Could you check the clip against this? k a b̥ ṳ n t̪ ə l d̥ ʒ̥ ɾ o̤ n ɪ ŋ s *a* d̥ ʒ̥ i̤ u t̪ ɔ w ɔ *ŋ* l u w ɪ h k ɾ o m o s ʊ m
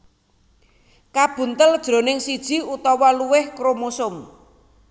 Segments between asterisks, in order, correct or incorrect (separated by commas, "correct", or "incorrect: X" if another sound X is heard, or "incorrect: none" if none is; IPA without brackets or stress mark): incorrect: i, incorrect: none